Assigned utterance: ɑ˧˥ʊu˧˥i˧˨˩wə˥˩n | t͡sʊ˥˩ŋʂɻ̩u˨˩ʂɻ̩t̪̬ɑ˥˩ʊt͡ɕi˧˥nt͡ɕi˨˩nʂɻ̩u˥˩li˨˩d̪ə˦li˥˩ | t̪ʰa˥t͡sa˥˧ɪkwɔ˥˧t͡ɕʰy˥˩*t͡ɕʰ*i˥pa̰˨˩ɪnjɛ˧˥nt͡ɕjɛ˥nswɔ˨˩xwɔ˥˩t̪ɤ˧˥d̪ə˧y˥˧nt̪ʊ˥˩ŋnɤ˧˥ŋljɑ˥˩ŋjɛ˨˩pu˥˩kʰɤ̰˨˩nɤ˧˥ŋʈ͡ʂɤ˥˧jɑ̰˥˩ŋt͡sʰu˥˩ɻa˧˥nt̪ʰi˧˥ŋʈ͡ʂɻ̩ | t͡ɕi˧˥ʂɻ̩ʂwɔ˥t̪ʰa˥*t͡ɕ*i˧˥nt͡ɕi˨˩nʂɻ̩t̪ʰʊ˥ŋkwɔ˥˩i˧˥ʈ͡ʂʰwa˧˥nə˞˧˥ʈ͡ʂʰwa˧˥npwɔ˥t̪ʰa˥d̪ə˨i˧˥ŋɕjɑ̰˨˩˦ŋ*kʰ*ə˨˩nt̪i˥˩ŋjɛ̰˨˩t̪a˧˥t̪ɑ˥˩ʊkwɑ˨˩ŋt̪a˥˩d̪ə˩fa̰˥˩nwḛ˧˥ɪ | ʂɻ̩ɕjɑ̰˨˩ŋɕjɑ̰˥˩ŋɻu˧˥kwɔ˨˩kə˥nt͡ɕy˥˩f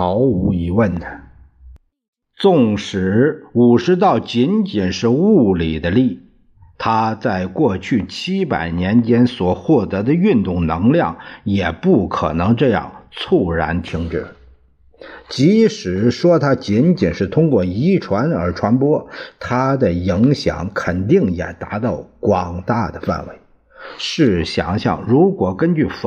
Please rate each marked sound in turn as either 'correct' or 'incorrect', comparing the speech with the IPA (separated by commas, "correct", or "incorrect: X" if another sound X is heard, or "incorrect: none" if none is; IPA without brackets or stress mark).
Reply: correct, correct, correct